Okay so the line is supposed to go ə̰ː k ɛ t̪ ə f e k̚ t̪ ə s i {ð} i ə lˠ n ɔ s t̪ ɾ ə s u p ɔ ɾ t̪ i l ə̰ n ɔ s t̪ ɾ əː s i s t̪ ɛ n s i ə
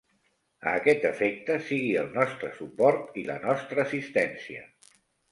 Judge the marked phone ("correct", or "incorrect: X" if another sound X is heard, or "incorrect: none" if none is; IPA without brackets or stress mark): incorrect: ɣ